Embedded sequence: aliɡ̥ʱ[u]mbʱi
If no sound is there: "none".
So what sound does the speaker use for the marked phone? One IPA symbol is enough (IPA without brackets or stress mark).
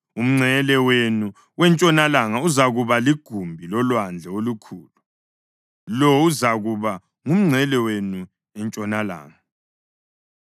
u